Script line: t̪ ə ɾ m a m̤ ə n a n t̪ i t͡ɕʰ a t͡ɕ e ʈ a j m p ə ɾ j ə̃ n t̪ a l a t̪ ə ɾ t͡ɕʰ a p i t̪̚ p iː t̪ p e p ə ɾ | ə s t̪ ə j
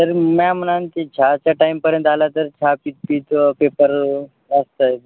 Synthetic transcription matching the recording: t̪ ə ɾ m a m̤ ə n a n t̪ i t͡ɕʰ a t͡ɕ a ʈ a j m p ə ɾ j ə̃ n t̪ a l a t̪ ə ɾ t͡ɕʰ a p i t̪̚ p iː t̪ p e p ə ɾ | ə s t̪ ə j

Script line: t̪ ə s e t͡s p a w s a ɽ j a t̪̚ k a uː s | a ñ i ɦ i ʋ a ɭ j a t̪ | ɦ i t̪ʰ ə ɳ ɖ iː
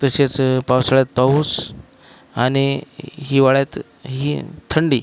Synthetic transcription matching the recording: t̪ ə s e t͡s p a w s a ɭ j a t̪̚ p a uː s | a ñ i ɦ i ʋ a ɭ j a t̪ | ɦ i t̪ʰ ə ɳ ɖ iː

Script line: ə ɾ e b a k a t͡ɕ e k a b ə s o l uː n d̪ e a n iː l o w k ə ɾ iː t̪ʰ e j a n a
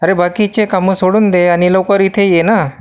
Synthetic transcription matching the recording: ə ɾ e b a k i t͡ɕ e k a m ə s o ɽ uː n d̪ e a n i l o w k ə ɾ i t̪ʰ e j e n a

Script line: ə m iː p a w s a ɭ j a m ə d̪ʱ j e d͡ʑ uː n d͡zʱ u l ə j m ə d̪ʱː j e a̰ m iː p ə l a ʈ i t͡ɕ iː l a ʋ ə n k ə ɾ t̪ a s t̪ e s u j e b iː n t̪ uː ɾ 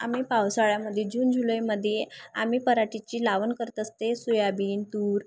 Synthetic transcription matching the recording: a m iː p a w s a ɭ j a m ə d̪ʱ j e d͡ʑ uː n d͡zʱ u l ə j m ə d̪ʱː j e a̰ m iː p ə ɾ a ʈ i t͡ɕ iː l a ʋ ə n k ə ɾ t̪ ə s t̪ e s u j a b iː n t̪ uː ɾ

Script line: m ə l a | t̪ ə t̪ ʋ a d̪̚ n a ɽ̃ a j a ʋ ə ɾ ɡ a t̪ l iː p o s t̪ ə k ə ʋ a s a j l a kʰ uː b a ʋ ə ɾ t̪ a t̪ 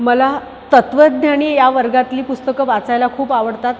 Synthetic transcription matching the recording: m ə l a | t̪ ə t̪ ʋ ə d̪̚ n a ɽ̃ i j a ʋ ə ɾ ɡ a t̪ l iː p u s t̪ ə k ə ʋ a t͡s a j l a kʰ uː p a ʋ ə ɽ t̪ a t̪

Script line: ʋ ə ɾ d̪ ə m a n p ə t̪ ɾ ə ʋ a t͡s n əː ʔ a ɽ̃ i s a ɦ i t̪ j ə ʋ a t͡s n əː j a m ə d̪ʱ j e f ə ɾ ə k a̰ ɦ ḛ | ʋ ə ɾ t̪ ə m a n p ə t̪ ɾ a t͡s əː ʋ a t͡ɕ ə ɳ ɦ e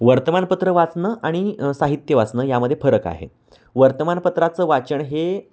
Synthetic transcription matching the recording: ʋ ə ɾ t̪ ə m a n p ə t̪ ɾ ə ʋ a t͡s n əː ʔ a ɽ̃ i s a ɦ i t̪ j ə ʋ a t͡s n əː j a m ə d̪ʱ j e f ə ɾ ə k a̰ ɦ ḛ | ʋ ə ɾ t̪ ə m a n p ə t̪ ɾ a t͡s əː ʋ a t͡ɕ ə ɳ ɦ e

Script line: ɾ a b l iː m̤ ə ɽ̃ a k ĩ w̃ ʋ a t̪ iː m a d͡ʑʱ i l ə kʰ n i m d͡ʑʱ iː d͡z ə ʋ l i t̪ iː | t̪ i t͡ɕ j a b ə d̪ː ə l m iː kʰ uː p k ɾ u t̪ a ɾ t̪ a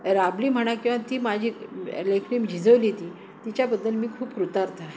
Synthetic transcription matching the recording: ɾ a b l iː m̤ ə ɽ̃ a k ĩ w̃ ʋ a t̪ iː m a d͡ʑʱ i l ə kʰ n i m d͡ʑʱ i d͡z ə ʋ l i t̪ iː | t̪ i t͡ɕ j a b ə d̪ː ə l m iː kʰ uː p k ɾ u t̪ a ɾ t̪ a

